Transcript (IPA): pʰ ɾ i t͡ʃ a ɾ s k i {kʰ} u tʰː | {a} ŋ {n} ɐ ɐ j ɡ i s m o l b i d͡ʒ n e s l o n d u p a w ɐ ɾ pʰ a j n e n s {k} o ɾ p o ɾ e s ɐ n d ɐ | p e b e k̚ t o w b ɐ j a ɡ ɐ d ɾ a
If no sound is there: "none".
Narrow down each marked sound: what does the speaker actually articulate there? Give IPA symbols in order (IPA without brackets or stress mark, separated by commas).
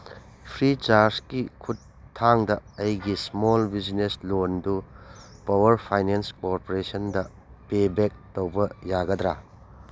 kʰ, a, d, k